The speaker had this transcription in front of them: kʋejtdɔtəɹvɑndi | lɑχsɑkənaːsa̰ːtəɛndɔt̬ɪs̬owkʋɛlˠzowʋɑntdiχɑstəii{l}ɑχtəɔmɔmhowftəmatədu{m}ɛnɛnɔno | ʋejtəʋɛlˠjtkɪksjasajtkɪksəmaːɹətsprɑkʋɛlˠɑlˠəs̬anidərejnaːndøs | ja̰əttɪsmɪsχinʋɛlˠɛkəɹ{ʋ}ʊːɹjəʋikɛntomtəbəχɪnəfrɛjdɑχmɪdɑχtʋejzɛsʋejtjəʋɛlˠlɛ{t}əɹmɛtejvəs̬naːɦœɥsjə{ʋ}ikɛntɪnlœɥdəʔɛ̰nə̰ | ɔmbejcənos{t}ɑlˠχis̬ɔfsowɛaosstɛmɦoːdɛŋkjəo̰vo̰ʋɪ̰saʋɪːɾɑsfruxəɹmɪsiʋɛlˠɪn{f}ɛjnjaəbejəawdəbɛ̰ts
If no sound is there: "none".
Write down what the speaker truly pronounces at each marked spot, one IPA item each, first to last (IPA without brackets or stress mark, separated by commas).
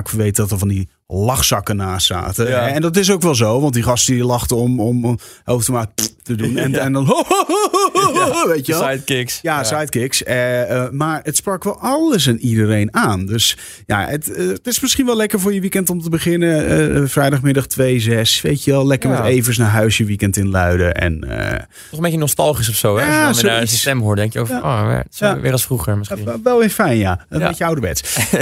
l, n, v, k, ʋ, t, f